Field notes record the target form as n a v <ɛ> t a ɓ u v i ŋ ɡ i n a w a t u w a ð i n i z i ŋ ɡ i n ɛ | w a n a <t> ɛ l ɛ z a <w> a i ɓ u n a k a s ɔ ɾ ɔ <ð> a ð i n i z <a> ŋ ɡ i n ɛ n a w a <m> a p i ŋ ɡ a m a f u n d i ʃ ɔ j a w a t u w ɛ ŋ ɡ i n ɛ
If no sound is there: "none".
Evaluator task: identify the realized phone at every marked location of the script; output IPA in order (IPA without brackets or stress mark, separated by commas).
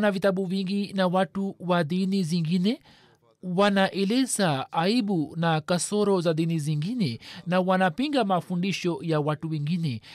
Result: i, ʔ, none, z, i, n